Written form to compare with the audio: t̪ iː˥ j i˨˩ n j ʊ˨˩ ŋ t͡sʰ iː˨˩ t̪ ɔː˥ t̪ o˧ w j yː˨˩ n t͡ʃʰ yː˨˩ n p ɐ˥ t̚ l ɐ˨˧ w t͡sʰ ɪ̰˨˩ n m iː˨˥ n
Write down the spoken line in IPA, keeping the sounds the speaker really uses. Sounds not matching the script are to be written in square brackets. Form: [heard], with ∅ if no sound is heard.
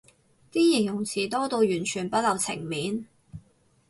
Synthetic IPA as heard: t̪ iː˥ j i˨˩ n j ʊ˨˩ ŋ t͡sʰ iː˨˩ t̪ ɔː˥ t̪ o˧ w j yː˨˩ n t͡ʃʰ yː˨˩ n p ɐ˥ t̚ l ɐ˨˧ w t͡sʰ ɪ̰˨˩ [ŋ] m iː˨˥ n